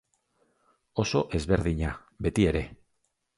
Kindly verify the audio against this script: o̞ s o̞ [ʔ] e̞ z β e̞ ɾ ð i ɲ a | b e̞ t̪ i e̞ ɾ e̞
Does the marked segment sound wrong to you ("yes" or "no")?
no